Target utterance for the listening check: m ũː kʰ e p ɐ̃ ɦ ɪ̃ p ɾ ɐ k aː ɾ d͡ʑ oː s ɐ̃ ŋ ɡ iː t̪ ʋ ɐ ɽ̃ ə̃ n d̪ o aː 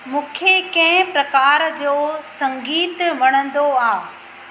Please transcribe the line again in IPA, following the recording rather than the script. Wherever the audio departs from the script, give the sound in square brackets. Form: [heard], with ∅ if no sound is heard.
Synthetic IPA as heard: m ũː kʰ e [k] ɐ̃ ɦ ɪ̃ p ɾ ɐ k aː ɾ d͡ʑ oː s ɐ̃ ŋ ɡ iː t̪ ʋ ɐ ɽ̃ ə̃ n d̪ o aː